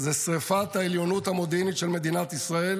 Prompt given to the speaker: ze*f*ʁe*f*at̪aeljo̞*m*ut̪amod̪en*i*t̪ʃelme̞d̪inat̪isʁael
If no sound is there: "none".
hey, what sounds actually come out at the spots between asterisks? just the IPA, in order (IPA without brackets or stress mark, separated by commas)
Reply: s, f, n, i